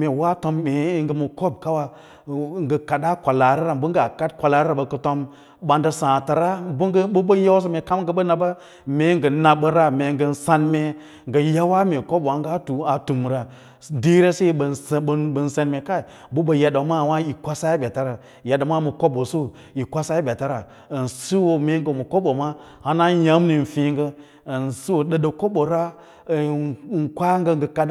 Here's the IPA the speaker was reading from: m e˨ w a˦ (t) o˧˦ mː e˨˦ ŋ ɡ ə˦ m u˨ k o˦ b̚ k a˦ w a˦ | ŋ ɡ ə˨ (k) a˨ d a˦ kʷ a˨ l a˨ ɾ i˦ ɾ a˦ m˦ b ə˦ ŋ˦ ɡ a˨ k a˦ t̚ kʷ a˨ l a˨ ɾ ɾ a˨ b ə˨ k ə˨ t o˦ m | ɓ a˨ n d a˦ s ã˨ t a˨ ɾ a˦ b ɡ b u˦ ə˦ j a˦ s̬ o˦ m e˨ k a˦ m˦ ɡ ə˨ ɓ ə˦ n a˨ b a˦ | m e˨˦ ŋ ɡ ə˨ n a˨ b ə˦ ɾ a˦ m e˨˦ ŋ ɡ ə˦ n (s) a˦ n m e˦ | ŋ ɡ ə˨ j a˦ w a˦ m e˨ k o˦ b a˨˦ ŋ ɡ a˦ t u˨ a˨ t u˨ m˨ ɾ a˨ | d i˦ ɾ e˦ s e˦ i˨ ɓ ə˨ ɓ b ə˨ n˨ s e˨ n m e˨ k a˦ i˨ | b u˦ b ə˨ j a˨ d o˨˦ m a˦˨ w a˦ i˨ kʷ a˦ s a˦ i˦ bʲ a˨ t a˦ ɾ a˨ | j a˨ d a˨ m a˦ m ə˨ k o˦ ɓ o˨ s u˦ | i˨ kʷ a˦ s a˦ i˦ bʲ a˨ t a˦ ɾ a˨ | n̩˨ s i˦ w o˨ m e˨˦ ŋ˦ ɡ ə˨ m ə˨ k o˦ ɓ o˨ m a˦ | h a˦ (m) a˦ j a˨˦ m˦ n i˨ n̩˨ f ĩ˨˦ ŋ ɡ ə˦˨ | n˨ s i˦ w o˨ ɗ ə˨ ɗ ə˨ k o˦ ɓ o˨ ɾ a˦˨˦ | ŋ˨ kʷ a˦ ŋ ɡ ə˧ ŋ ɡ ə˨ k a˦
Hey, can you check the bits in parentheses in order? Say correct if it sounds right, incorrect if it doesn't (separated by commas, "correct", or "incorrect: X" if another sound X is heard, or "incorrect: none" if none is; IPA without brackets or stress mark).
correct, correct, correct, incorrect: n